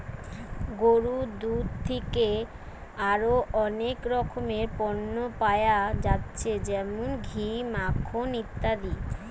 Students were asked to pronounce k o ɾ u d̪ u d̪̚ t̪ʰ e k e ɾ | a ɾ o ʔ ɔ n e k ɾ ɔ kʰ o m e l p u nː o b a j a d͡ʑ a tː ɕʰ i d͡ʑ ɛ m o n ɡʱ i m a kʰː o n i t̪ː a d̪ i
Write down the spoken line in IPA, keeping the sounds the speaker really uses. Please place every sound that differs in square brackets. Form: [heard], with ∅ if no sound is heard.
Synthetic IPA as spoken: [ɡ] o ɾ u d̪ u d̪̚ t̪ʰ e k e [∅] | a ɾ o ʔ ɔ n e k ɾ ɔ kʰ o m e [ɾ] p [ɔ] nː o [p] a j a d͡ʑ a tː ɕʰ [e] d͡ʑ ɛ m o n ɡʱ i m a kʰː o n i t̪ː a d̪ i